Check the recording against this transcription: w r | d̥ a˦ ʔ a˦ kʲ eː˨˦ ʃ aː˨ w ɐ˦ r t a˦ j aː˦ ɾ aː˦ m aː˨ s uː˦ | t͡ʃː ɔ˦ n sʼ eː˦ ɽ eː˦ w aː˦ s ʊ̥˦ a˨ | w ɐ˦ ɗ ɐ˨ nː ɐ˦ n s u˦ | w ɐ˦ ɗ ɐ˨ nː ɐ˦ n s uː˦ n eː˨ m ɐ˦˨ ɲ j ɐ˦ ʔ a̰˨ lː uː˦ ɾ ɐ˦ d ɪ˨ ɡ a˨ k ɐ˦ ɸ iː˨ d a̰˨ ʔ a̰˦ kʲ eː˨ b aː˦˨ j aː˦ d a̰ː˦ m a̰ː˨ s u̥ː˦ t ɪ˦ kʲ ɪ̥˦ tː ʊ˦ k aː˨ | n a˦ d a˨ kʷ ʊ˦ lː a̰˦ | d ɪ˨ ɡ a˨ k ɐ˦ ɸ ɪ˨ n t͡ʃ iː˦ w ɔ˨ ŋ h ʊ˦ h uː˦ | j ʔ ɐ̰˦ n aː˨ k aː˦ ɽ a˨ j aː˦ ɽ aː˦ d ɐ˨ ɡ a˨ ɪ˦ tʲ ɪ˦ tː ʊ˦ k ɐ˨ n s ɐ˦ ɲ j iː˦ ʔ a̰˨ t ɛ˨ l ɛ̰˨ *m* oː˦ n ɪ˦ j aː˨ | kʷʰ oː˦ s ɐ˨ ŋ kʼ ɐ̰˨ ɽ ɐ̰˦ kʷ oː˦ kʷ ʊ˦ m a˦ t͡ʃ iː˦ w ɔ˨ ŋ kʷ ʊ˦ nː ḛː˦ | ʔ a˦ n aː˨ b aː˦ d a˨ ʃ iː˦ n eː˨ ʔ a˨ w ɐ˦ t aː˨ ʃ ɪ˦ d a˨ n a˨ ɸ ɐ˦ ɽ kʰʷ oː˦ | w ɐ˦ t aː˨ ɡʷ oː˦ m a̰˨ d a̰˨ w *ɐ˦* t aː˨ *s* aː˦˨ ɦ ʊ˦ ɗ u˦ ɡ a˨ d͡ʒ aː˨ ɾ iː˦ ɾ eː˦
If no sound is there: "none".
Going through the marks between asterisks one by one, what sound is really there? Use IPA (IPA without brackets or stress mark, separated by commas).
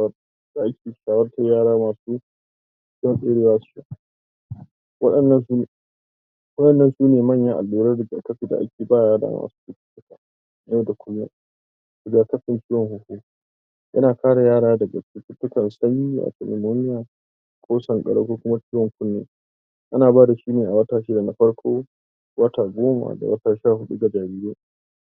m, ɐ˦, ʃ